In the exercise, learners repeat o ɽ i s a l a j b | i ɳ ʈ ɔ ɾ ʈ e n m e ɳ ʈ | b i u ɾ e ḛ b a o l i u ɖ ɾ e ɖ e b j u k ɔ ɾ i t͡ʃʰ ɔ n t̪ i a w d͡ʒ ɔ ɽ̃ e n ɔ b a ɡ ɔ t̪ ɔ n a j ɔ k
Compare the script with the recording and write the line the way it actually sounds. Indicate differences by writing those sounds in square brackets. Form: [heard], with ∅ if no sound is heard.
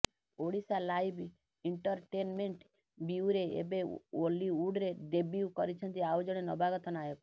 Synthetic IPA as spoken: o ɽ i s a l a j b | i ɳ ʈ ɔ ɾ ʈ e n m e ɳ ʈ | b i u ɾ e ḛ b [e] o l i u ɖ ɾ e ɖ e b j u k ɔ ɾ i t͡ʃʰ ɔ n t̪ i a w d͡ʒ ɔ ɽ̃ e n ɔ b a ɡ ɔ t̪ ɔ n a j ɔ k